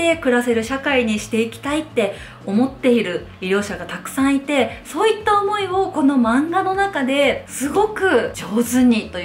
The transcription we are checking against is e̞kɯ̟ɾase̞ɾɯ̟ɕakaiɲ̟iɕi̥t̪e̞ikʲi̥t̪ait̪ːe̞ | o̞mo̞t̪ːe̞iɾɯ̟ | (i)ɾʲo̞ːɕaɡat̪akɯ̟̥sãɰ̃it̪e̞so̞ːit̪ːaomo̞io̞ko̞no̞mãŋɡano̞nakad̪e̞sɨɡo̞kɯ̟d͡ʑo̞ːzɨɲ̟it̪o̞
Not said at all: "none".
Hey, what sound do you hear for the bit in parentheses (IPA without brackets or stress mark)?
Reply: i